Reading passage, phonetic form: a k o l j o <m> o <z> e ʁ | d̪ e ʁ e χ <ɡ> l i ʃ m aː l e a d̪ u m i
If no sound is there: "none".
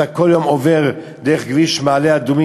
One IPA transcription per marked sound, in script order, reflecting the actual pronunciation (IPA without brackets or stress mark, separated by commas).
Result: m, v, ɡ